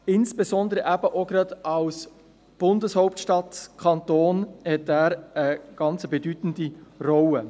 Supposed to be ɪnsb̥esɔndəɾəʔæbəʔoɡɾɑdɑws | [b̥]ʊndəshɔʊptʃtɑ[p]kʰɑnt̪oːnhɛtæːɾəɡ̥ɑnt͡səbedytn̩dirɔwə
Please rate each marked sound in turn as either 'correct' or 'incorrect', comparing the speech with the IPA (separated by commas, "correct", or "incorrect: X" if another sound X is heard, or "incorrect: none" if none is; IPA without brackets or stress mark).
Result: correct, incorrect: t